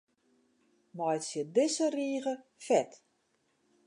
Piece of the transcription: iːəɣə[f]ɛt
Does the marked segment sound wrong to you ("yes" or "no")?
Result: no